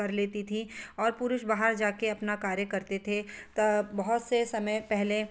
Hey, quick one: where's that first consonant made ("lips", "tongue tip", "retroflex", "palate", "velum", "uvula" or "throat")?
tongue tip